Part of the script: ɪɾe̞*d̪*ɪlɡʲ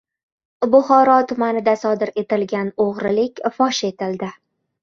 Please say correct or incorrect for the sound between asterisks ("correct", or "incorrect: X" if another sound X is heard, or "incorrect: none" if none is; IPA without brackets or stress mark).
incorrect: t̪